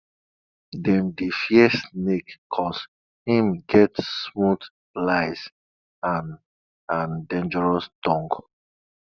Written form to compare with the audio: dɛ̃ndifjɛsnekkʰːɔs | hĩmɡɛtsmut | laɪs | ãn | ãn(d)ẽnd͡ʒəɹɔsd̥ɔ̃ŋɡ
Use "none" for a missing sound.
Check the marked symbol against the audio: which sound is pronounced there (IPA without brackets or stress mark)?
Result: d